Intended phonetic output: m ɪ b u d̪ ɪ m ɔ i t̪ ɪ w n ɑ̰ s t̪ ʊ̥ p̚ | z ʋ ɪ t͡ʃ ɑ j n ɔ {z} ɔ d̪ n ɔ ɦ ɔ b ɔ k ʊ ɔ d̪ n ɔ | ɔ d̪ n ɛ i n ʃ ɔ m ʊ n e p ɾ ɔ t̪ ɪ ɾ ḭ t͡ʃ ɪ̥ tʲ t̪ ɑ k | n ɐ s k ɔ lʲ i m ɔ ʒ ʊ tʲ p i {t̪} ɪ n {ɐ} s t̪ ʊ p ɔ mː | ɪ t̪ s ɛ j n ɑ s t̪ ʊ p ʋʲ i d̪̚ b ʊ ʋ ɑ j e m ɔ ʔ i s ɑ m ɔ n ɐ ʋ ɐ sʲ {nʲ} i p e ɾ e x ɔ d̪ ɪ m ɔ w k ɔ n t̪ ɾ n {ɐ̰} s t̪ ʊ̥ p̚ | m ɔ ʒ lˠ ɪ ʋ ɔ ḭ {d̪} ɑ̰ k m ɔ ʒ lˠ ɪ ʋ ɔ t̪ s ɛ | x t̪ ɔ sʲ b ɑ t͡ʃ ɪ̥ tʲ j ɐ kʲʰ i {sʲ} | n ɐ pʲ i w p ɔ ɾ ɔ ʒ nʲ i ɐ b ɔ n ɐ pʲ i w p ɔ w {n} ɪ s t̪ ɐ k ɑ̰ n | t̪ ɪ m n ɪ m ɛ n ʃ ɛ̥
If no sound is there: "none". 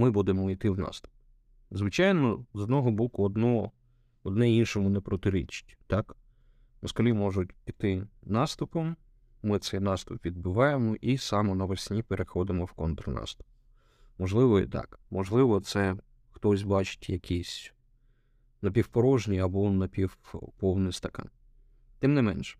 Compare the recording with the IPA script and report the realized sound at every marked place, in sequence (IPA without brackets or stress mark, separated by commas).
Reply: z, t̪, ɑ, nʲ, ɑ̰, t̪, sʲ, n